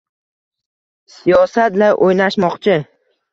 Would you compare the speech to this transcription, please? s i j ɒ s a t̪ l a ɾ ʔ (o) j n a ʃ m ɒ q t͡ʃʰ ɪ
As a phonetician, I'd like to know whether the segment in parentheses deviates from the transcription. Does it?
no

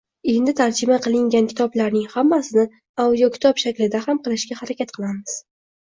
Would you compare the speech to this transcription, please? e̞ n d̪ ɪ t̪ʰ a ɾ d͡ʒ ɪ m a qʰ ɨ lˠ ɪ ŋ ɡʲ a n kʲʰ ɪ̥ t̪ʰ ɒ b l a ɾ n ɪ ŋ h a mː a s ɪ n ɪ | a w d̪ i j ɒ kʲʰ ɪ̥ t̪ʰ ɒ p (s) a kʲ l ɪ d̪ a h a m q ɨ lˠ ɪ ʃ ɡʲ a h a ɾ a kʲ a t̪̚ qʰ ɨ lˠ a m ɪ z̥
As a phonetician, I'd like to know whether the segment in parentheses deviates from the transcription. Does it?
yes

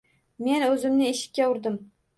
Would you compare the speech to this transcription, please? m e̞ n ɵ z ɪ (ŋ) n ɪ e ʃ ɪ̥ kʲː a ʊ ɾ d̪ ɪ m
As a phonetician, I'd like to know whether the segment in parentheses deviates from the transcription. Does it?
yes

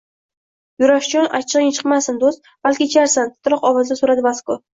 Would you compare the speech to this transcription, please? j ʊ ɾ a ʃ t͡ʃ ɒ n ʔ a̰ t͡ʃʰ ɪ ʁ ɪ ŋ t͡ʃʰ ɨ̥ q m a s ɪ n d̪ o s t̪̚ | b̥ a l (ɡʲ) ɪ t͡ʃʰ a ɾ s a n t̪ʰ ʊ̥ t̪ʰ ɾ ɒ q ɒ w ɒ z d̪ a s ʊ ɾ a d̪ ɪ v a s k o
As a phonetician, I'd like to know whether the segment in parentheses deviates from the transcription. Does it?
yes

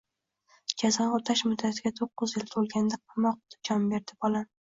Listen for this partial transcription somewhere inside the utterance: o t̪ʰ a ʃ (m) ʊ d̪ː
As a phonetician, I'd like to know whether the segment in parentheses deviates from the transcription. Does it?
no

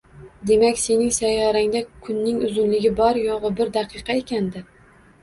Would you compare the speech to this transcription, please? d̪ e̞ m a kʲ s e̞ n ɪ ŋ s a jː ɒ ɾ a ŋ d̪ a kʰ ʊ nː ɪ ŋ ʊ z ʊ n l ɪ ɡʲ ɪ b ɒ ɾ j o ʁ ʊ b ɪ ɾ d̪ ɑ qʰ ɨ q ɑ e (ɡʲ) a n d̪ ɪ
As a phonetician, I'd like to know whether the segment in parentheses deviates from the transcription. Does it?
yes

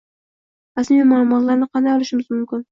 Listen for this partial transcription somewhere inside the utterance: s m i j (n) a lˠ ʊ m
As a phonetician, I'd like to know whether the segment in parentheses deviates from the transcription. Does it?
yes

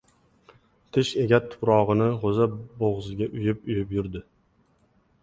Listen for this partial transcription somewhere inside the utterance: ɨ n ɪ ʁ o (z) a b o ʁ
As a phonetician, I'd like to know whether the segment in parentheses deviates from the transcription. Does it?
no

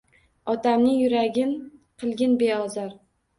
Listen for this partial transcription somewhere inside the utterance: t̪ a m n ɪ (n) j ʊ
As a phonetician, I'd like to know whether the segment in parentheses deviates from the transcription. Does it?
yes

